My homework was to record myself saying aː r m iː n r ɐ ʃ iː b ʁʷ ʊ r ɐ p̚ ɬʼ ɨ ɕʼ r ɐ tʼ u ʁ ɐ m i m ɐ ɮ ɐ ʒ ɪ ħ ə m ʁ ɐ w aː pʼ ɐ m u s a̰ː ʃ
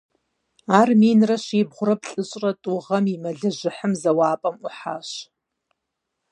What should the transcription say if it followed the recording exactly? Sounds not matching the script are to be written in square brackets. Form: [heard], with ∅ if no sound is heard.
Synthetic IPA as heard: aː r m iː n r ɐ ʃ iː b ʁʷ ʊ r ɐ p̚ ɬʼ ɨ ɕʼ r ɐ tʼ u ʁ ɐ m i m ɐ ɮ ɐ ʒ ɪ ħ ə m [z] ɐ w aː pʼ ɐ m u [ħ] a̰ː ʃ